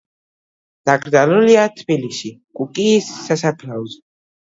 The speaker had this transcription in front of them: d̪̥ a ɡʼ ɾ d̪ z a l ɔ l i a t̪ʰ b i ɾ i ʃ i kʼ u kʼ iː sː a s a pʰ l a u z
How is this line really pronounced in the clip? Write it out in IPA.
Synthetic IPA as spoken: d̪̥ a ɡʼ ɾ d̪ z a l u l i a t̪ʰ b i l i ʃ i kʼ u kʼ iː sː a s a pʰ l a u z

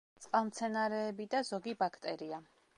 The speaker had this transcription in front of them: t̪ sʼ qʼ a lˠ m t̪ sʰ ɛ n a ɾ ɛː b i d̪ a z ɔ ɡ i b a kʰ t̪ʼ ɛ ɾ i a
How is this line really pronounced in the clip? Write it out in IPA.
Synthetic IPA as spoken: t̪ sʼ qʼ a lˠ m t̪ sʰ ɛ n a ɾ ɛː b i d̪ a z ɔ ɡ i b a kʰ t̪ʼ ɛ ɾ i a

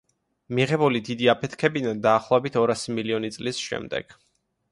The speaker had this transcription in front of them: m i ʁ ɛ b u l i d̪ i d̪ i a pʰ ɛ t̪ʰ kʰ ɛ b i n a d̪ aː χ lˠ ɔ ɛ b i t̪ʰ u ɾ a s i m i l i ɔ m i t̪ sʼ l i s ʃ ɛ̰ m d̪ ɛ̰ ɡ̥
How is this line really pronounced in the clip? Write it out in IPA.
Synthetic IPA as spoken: m i ʁ ɛ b u l i d̪ i d̪ i a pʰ ɛ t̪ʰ kʰ ɛ b i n a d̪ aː χ lˠ ɔ ɛ b i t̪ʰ ɔ ɾ a s i m i l i ɔ n i t̪ sʼ l i s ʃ ɛ̰ m d̪ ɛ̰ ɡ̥

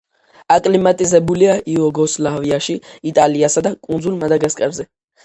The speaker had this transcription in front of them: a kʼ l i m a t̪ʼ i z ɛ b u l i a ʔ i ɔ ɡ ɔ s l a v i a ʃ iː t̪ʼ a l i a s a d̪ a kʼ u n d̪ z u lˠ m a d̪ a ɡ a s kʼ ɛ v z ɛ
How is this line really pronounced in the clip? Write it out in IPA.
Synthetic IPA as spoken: a kʼ l i m a t̪ʼ i z ɛ b u l i a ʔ i ɔ ɡ ɔ s l a v i a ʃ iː t̪ʼ a l i a s a d̪ a kʼ u n d̪ z u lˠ m a d̪ a ɡ a s kʼ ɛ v z ɛ

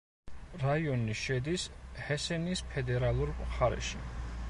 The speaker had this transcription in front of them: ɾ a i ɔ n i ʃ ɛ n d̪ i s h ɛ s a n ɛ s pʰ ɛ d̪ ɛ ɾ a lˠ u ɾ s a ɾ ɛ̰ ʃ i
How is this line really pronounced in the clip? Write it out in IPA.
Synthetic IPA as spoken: ɾ a i ɔ n i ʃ ɛ d̪ i s h ɛ s ɛ n i s pʰ ɛ d̪ ɛ ɾ a lˠ u ɾ χ a ɾ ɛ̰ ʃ i

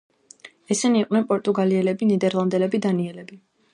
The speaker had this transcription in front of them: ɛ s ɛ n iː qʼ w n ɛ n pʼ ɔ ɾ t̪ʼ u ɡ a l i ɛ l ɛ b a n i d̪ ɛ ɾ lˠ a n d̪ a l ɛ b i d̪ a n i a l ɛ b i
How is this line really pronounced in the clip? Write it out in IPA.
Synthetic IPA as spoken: ɛ s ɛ n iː qʼ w n ɛ n pʼ ɔ ɾ t̪ʼ u ɡ a l i ɛ l ɛ b i n i d̪ ɛ ɾ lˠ a n d̪ ɛ l ɛ b i d̪ a n i ɛ l ɛ b i

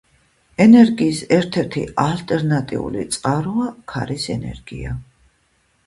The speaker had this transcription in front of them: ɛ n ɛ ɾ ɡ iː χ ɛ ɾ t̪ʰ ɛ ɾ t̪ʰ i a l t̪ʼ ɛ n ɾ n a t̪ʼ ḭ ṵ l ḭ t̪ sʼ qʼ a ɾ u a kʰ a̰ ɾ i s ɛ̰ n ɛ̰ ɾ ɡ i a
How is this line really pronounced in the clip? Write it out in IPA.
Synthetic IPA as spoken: ɛ n ɛ ɾ ɡ iː s ɛ ɾ t̪ʰ ɛ ɾ t̪ʰ i a l t̪ʼ ɛ ɾ n a t̪ʼ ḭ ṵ l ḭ t̪ sʼ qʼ a ɾ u a kʰ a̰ ɾ i s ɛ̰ n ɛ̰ ɾ ɡ i a

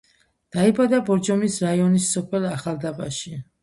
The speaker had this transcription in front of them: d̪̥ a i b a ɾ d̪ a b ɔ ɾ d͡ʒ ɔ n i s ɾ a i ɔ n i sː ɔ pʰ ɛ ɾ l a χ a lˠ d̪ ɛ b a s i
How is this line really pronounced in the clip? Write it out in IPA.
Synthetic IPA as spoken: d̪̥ a i b a d̪ a b ɔ ɾ d͡ʒ ɔ m i s ɾ a i ɔ n i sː ɔ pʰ ɛ l a χ a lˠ d̪ a b a ʃ i

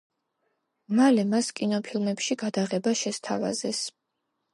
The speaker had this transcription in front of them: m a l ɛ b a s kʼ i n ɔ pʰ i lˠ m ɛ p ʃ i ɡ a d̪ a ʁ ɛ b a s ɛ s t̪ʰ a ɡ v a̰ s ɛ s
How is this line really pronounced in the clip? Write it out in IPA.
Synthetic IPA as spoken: m a l ɛ m a s kʼ i n ɔ pʰ i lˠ m ɛ p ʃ i ɡ a d̪ a ʁ ɛ b a ʃ ɛ s t̪ʰ a v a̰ z ɛ s

